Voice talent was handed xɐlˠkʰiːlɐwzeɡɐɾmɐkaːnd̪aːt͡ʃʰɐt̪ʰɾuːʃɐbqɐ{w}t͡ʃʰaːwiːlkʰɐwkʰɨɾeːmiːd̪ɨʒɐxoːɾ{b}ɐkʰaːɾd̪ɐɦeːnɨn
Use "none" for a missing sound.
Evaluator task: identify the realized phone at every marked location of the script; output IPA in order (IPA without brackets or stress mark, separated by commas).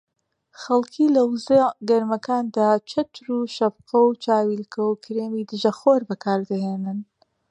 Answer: w, b